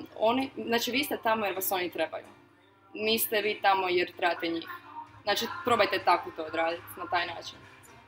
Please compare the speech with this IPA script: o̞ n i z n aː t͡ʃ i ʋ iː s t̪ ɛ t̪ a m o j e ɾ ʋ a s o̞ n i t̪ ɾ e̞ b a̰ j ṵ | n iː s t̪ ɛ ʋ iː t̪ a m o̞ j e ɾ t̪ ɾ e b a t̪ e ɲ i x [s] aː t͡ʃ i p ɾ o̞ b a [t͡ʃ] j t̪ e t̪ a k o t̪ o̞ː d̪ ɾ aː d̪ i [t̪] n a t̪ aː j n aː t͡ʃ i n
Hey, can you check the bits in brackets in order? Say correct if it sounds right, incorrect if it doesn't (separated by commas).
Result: incorrect, incorrect, correct